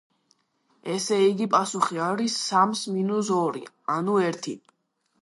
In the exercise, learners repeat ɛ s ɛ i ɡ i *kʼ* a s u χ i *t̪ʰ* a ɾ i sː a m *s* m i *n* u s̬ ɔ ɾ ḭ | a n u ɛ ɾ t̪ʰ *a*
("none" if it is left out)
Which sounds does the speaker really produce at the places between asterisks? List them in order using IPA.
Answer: pʼ, none, s, n, i

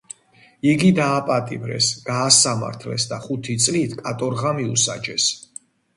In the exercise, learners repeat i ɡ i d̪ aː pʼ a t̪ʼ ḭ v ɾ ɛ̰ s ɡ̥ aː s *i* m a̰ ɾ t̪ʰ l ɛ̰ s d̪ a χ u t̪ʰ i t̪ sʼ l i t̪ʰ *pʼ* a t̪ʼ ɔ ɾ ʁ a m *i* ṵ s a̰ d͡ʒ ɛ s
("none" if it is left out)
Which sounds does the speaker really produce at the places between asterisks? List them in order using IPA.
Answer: a, kʼ, i

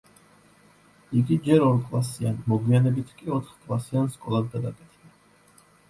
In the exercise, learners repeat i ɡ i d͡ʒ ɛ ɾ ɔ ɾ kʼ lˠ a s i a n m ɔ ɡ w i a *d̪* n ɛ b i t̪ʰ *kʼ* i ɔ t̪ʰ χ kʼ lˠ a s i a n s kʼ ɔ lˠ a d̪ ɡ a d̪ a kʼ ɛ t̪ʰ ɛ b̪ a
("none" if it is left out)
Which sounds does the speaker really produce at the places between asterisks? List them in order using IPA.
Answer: none, kʼ

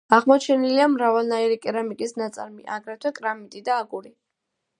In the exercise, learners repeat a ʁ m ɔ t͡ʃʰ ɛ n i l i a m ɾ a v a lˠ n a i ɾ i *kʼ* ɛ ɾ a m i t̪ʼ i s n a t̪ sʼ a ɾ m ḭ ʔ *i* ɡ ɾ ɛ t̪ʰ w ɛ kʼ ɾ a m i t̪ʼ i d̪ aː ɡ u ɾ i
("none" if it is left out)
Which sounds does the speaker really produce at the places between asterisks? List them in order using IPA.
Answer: kʼ, a

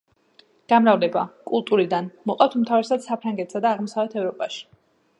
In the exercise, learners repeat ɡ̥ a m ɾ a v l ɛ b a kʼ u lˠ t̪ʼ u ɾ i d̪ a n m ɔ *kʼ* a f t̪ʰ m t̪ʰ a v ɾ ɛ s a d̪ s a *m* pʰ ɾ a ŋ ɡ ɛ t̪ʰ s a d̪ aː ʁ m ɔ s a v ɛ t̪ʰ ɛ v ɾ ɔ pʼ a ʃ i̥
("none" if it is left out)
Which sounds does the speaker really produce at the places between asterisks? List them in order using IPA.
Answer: qʼ, none

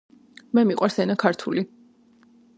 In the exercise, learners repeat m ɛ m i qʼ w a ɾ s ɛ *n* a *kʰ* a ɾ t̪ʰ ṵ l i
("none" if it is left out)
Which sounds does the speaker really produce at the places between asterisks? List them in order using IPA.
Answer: n, kʰ

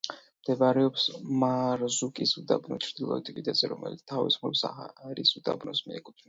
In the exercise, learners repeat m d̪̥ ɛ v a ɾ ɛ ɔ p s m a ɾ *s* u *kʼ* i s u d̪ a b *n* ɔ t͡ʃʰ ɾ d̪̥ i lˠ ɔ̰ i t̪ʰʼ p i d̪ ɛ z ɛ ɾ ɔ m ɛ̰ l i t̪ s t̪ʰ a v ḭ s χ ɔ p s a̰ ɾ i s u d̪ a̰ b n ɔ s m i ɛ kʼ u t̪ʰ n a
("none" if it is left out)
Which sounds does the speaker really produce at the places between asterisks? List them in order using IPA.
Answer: z, kʼ, n

